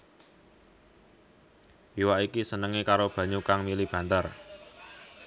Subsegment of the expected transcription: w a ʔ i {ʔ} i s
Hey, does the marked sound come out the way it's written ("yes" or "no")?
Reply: no